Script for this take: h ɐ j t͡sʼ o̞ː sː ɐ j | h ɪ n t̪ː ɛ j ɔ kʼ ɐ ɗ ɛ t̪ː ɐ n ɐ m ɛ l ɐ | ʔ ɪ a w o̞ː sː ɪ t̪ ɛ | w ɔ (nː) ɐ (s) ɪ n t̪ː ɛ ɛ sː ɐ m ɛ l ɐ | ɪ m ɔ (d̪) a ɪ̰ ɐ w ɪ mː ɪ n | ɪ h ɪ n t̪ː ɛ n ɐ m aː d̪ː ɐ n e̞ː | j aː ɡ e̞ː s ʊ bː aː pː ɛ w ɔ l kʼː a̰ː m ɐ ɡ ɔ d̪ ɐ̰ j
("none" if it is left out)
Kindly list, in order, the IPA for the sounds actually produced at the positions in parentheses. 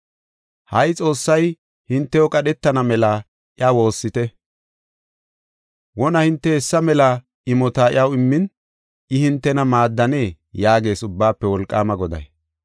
n, h, t̪

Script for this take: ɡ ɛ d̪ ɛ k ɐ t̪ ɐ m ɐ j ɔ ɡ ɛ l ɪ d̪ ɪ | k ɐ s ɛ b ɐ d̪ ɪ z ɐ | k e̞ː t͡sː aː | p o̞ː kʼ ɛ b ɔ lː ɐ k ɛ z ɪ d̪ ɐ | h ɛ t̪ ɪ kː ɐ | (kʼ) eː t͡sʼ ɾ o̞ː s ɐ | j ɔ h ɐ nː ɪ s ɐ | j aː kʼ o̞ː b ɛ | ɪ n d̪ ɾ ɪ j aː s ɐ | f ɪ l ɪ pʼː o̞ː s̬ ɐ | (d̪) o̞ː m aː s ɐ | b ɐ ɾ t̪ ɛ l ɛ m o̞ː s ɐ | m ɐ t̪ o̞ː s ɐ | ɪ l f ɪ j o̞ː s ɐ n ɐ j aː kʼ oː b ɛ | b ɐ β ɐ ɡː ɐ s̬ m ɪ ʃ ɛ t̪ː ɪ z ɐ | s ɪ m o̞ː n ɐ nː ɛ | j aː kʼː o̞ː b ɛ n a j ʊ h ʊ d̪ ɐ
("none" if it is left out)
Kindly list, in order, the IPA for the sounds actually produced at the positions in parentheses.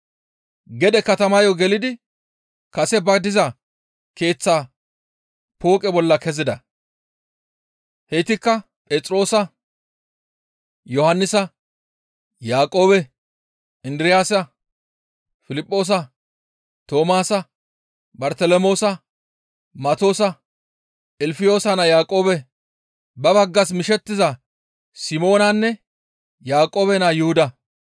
pʼ, t̪

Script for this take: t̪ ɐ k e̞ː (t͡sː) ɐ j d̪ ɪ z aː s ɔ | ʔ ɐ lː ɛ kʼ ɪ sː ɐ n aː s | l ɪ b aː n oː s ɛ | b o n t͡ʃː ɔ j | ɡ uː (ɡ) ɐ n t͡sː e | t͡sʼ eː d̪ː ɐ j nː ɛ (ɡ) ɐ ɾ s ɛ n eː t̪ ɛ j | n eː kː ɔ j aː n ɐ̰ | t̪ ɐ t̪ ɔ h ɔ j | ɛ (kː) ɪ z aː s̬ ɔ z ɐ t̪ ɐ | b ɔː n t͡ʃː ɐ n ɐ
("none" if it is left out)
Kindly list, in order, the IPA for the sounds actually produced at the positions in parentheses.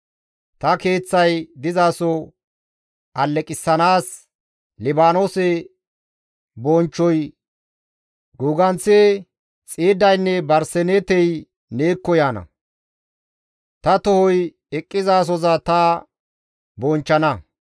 t͡sː, ɡ, b, kʼː

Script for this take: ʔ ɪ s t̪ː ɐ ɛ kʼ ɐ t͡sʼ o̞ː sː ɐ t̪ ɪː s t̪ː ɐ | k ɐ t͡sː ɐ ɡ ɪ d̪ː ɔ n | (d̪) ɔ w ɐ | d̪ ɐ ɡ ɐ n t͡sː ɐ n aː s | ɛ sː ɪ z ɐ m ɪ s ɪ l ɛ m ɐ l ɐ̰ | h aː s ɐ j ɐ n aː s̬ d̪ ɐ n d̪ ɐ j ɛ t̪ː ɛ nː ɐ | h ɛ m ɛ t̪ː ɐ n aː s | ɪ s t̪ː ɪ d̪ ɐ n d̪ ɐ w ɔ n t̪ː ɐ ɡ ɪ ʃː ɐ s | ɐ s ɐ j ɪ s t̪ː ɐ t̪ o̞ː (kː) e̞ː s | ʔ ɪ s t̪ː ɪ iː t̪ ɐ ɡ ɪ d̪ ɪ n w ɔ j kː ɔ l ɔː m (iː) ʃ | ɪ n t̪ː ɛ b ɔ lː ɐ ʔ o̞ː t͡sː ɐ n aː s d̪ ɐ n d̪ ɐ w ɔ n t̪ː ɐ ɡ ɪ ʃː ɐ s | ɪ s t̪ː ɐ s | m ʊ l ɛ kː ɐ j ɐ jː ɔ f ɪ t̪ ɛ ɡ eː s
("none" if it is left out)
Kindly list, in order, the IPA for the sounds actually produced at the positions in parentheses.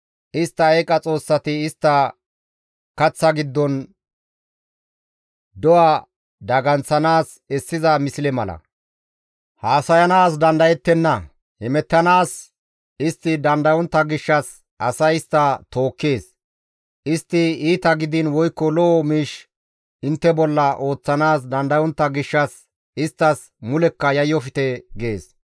d̪, kː, iː

